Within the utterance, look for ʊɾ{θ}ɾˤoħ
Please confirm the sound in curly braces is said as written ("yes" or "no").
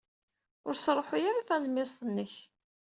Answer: no